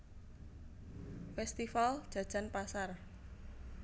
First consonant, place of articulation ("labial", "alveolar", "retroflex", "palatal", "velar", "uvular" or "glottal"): labial